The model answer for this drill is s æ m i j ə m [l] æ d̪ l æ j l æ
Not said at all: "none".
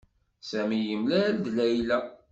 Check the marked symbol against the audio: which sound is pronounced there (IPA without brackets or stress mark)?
l